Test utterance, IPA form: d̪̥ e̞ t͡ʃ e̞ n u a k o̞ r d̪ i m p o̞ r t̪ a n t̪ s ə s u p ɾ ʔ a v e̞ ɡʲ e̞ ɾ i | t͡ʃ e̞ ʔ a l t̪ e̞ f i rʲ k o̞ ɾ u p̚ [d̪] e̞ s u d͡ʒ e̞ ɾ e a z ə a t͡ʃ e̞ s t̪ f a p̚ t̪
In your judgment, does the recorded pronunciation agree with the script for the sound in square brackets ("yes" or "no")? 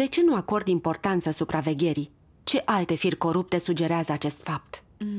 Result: no